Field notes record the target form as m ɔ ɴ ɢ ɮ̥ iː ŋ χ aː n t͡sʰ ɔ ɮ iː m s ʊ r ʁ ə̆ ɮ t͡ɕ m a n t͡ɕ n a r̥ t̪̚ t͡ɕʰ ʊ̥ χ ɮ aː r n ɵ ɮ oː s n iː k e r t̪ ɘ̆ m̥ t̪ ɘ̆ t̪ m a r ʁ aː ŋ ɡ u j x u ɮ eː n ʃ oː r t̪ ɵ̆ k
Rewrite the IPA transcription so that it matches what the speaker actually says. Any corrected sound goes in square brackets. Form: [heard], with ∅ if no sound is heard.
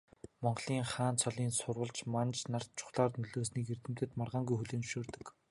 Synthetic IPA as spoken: m ɔ ɴ ɢ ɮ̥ iː ŋ χ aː n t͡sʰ ɔ ɮ iː [n] s ʊ r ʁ ə̆ ɮ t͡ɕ m a n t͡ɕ n a r̥ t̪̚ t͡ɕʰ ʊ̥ χ ɮ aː r n ɵ ɮ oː s n iː k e r t̪ ɘ̆ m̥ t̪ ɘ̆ t̪ m a r ʁ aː ŋ ɡ u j x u ɮ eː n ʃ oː r t̪ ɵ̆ k